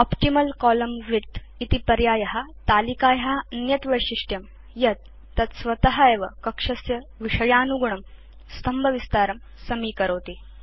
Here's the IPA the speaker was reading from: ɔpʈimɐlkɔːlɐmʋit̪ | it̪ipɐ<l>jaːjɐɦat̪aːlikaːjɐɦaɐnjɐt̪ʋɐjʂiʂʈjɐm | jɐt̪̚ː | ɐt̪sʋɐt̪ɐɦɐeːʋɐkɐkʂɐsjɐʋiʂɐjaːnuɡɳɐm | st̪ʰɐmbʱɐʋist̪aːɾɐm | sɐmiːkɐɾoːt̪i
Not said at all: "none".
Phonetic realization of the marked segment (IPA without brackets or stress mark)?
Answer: ɾ